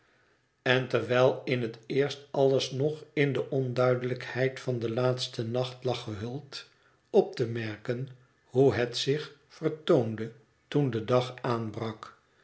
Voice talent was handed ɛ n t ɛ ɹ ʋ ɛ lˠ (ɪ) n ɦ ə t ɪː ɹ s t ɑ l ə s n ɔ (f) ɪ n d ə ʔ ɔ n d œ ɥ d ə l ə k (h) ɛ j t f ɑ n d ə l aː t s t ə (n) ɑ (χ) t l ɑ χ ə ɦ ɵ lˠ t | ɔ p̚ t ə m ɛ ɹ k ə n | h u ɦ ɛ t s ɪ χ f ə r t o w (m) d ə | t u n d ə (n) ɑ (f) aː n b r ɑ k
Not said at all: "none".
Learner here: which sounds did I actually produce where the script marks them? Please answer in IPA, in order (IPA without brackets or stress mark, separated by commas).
ɪ, χ, h, n, χ, n, d, χ